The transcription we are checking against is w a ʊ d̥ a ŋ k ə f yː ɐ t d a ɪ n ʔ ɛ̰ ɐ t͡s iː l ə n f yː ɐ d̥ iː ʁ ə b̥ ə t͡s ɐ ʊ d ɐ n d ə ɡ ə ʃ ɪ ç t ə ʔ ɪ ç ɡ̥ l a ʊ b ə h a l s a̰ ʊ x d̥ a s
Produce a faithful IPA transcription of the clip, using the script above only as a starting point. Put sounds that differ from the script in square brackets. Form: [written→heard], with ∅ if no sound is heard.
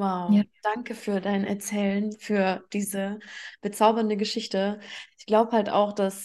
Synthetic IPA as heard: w a ʊ d̥ a ŋ k ə f yː ɐ [t→∅] d a ɪ n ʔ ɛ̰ ɐ t͡s [iː→ɛː] l ə n f yː ɐ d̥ iː [ʁ→z] ə b̥ ə t͡s [ɐ→a] ʊ [d→b] ɐ n d ə ɡ ə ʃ ɪ ç t ə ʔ ɪ ç ɡ̥ l a ʊ b ə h a l [s→t] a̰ ʊ x d̥ a s